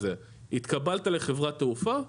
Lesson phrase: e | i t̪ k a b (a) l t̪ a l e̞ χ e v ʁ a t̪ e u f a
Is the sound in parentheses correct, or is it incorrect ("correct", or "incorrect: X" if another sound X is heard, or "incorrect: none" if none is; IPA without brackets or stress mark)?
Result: correct